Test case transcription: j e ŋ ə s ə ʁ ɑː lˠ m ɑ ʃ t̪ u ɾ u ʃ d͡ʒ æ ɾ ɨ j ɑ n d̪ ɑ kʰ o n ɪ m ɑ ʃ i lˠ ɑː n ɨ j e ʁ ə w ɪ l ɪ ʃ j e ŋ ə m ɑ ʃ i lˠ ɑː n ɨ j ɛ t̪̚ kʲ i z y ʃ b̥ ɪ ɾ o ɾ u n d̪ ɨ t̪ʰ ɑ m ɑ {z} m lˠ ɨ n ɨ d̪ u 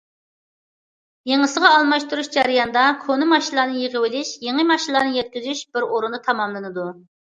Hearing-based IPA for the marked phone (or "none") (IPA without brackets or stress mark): none